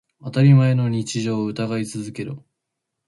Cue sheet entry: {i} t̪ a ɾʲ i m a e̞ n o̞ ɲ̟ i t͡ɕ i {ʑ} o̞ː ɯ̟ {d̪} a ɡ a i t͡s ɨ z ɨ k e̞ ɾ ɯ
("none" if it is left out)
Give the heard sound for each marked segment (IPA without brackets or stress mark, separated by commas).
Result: a, ʑ, t̪